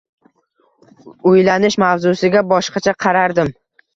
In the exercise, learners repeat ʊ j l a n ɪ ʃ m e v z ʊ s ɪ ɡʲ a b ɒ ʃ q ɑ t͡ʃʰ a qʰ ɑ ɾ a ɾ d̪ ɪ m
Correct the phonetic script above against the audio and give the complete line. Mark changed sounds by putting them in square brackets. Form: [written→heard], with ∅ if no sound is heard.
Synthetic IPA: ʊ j l a n ɪ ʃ m [e→a] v z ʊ s ɪ ɡʲ a b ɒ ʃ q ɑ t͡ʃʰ a qʰ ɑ ɾ a ɾ d̪ ɪ m